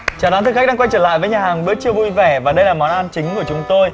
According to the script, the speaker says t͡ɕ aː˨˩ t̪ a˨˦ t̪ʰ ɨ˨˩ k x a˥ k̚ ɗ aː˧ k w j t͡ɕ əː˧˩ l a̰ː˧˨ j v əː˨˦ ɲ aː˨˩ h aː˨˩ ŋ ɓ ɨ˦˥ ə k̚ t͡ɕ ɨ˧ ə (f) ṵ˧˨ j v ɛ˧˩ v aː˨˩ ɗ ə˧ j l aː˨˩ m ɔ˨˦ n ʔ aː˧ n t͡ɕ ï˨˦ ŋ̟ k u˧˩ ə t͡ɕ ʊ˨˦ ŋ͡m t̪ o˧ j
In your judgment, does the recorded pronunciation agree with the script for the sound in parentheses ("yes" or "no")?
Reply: no